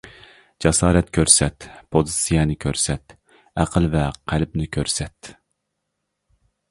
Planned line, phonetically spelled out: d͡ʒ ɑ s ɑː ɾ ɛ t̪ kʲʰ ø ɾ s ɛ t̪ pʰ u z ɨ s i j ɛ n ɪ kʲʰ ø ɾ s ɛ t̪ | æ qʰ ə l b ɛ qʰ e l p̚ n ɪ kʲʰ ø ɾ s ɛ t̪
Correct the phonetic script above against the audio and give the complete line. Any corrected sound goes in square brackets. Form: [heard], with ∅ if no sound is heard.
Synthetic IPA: d͡ʒ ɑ s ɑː ɾ ɛ t̪ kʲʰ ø ɾ s ɛ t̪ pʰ [o] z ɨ s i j ɛ n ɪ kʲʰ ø ɾ s ɛ t̪ | æ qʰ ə l [v] ɛ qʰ [æ] l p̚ n ɪ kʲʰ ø ɾ s ɛ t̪